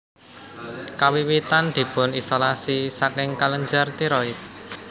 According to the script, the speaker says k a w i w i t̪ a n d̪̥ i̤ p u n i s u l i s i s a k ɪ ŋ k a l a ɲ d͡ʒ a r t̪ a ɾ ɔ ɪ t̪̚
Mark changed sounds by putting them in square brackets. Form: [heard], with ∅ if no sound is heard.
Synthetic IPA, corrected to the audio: k a w i w i t̪ a n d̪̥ i̤ p [ʊ] n i s [o] l [a] s i s a k ɪ ŋ k a l [ə] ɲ d͡ʒ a r t̪ [i] ɾ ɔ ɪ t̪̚